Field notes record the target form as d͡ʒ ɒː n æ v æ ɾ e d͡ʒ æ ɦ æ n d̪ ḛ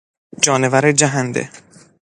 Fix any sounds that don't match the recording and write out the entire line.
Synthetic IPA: d͡ʒ ɒː n e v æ ɾ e d͡ʒ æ ɦ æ n d̪ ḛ